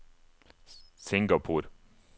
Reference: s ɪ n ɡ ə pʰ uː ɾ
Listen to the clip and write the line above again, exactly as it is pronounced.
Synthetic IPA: s ɪ ŋ ɡ ɑ pʰ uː ɾ